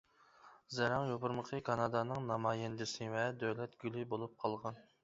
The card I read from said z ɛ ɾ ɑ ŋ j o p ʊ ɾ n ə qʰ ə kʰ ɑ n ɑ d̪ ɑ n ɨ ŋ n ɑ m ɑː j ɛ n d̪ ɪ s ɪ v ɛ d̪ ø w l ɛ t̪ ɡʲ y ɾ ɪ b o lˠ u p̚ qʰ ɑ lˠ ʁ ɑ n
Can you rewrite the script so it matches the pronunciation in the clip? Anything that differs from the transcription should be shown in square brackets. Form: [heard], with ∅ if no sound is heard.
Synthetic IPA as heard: z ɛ ɾ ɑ ŋ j o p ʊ ɾ [m] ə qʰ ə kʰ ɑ n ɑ d̪ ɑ n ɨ ŋ n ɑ m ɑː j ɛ n d̪ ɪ s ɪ v ɛ d̪ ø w l ɛ t̪ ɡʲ y [l] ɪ b o lˠ u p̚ qʰ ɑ lˠ ʁ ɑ n